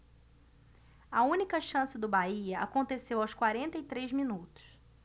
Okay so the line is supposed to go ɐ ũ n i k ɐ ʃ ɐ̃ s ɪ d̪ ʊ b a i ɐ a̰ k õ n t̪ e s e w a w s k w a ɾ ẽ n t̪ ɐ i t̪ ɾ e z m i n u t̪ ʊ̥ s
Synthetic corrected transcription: ɐ ũ n i k ɐ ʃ ɐ̃ s ɪ d̪ ʊ b a i ɐ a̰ k õ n t̪ e s e w a w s k w a ɾ ẽ n t̪ ɐ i t̪ ɾ e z m i n u t̪ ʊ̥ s